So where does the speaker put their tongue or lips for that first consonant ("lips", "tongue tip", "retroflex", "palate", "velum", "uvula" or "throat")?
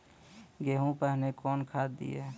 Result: velum